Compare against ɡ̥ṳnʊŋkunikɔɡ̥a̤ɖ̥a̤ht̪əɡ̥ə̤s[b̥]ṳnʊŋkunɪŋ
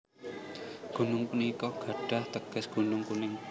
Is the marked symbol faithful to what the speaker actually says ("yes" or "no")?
no